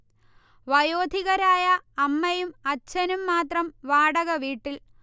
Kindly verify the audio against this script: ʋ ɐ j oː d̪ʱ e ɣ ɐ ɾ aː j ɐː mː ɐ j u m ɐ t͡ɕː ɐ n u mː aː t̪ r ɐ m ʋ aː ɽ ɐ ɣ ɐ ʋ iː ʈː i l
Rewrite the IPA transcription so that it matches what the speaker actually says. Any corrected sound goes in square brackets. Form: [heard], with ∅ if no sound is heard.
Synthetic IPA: ʋ ɐ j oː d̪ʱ [i] ɣ ɐ ɾ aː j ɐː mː ɐ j u m ɐ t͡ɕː ɐ n u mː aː t̪ r ɐ m ʋ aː ɽ ɐ ɣ ɐ ʋ iː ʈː i l